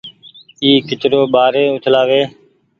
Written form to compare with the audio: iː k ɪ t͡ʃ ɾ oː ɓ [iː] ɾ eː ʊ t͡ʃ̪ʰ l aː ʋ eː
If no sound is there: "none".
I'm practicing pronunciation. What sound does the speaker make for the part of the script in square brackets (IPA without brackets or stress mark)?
aː